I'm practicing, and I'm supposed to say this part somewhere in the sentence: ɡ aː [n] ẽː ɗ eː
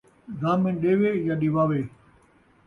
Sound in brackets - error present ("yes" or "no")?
yes